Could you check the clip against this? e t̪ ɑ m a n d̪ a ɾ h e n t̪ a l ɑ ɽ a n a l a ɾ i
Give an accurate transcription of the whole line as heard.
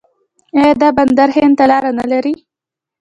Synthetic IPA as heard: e d̪ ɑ b a n d̪ a ɾ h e n t̪ a l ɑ ɾ a n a l a ɾ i